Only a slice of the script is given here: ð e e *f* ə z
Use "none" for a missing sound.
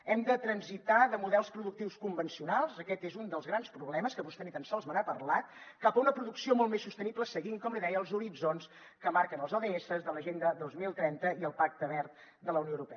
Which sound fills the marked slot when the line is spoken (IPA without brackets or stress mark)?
s